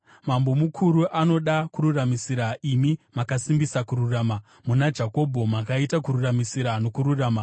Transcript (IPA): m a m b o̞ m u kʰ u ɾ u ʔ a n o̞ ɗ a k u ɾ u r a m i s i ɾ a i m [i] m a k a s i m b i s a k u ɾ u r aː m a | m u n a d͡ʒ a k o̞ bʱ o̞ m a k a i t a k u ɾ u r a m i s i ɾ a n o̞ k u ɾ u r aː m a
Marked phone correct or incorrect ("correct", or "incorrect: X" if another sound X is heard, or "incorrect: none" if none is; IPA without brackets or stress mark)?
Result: correct